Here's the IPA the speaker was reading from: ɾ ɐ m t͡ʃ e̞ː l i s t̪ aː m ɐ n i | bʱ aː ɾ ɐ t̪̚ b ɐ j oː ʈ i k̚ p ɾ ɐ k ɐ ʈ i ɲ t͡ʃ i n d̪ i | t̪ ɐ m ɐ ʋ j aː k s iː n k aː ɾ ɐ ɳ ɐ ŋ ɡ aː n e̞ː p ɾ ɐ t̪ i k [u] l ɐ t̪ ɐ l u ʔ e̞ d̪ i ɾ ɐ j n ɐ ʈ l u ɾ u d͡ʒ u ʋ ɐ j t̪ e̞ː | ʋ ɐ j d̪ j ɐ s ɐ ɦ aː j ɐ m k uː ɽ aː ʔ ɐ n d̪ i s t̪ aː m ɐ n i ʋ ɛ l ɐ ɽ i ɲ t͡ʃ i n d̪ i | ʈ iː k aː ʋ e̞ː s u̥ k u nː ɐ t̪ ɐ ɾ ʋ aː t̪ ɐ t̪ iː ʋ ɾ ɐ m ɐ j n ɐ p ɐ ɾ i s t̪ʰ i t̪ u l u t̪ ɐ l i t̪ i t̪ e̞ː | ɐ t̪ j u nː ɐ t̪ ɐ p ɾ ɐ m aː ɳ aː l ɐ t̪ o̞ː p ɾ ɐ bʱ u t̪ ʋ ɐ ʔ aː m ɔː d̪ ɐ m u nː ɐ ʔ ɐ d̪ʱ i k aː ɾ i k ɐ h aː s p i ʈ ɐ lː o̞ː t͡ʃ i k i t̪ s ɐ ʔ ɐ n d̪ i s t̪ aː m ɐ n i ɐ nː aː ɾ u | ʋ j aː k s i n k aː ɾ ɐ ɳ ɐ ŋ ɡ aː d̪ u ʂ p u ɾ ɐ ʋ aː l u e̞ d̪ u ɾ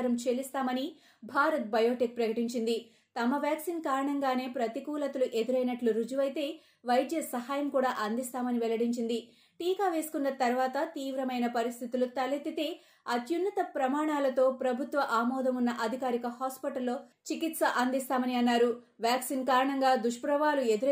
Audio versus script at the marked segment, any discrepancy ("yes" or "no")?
yes